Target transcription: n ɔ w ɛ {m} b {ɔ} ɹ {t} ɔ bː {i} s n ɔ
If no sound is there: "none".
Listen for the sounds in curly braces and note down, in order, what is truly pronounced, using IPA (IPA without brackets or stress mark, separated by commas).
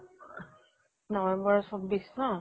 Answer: m, ɔ, s, i